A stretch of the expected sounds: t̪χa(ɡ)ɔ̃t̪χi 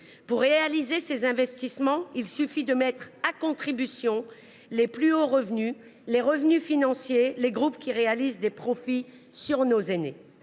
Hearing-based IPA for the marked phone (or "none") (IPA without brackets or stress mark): k